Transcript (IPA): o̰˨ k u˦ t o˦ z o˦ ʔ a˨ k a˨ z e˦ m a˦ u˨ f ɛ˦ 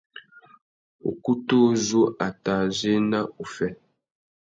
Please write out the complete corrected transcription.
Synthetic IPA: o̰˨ k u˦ t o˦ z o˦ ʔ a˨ t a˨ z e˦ n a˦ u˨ f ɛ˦